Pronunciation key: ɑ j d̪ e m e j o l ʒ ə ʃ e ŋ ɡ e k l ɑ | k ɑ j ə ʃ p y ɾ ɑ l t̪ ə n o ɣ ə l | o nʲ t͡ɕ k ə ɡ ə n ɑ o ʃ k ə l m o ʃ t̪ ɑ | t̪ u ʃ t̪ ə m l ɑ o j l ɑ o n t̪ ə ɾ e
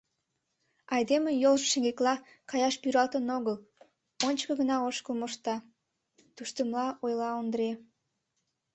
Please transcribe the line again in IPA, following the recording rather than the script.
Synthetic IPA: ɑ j d̪ e m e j o l ʒ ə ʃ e ŋ ɡ e k l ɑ | k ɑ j ɑ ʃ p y ɾ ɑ l t̪ ə n o ɣ ə l | o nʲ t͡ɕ k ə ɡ ə n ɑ o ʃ k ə l m o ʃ t̪ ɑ | t̪ u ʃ t̪ ə m l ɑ o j l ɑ o n d̪ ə ɾ e